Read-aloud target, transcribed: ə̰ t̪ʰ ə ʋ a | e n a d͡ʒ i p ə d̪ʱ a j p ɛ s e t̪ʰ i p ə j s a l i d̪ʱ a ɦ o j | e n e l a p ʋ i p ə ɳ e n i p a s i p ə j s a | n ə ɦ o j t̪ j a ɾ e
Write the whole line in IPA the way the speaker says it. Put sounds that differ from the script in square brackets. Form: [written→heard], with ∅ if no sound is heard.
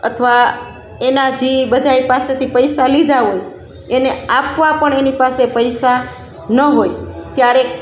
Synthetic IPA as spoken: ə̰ t̪ʰ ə ʋ a | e n a d͡ʒ i [p→b] ə d̪ʱ a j p [ɛ→a] s e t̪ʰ i p ə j s a l i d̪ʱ a ɦ o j | e n e [l→∅] a p ʋ [i→a] p ə ɳ e n i p a s [i→e] p ə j s a | n ə ɦ o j t̪ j a ɾ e